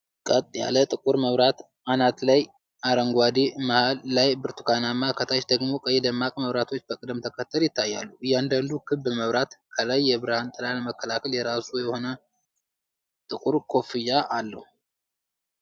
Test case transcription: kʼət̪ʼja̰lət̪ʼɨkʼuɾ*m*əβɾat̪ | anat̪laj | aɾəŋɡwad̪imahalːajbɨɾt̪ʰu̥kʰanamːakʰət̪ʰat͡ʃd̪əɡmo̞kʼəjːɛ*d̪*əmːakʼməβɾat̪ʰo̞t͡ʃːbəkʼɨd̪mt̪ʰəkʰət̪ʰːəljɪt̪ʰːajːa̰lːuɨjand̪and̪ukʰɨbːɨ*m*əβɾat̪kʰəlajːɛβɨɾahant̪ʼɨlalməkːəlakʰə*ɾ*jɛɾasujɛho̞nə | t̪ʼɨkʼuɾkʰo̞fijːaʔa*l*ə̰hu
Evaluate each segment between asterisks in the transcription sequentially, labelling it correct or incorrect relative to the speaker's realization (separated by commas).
correct, correct, correct, incorrect, incorrect